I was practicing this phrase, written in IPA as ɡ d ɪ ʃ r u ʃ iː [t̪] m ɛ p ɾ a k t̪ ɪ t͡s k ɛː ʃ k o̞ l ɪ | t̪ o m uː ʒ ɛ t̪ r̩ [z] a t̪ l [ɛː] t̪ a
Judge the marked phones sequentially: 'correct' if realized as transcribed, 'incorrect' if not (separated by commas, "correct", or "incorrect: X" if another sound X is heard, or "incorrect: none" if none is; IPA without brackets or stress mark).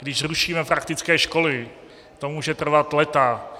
incorrect: none, incorrect: v, incorrect: ɛ